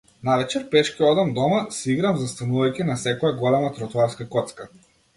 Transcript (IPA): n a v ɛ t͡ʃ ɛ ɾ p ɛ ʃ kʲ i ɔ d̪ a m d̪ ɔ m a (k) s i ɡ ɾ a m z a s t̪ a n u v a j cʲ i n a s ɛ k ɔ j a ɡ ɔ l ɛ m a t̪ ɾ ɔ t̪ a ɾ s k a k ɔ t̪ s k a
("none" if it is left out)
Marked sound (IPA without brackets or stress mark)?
none